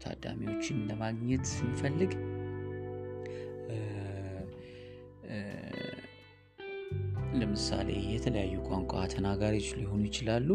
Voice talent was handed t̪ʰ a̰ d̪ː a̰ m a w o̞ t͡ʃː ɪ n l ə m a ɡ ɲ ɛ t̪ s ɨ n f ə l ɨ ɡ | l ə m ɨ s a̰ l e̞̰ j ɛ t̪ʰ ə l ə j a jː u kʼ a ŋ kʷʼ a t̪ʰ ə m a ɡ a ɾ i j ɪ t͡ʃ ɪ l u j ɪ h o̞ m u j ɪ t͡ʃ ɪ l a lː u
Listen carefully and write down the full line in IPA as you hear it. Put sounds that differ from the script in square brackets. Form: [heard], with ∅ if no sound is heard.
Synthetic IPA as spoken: t̪ʰ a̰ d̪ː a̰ m [i] w o̞ t͡ʃː ɪ n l ə m a ɡ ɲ ɛ t̪ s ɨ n f ə [lː] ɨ ɡ | l ə m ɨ s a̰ l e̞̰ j ɛ t̪ʰ ə l ə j a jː u kʼ a ŋ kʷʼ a t̪ʰ ə [n] a ɡ a ɾ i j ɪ t͡ʃ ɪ l u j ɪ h o̞ [n] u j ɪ t͡ʃ ɪ l a lː u